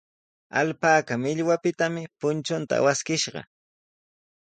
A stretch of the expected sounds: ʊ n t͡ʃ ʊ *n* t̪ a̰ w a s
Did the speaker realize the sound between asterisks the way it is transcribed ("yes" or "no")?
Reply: yes